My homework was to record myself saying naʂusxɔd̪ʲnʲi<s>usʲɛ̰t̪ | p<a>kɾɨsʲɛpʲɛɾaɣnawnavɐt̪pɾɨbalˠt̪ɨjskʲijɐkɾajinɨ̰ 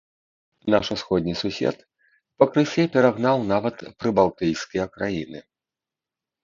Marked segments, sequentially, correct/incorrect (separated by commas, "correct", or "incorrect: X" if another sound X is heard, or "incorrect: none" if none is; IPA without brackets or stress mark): correct, incorrect: ɐ